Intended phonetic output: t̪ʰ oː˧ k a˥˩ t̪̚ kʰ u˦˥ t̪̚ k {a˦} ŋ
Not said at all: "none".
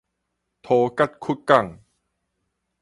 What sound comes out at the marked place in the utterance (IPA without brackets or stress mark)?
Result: a˥˩